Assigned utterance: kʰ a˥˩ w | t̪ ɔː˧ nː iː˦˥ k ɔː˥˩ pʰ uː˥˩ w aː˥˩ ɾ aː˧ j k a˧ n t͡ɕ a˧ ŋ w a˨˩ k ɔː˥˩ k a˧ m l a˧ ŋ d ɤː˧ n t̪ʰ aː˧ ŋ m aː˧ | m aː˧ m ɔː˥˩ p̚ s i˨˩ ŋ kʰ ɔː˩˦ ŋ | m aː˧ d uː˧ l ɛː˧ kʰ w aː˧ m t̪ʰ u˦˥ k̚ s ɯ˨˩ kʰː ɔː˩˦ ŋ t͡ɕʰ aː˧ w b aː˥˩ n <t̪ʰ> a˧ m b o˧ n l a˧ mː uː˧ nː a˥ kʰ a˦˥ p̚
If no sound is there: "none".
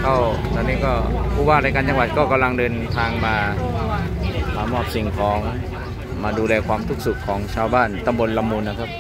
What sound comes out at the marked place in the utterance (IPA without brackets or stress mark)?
t̪